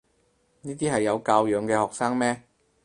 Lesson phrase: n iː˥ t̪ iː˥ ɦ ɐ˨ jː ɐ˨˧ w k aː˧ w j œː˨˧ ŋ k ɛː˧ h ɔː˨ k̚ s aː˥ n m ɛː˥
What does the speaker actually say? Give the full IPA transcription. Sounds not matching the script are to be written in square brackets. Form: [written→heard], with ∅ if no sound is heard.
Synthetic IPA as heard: n iː˥ t̪ iː˥ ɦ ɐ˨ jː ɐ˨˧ w k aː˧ w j œː˨˧ ŋ k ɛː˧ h ɔː˨ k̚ s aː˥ [n→ŋ] m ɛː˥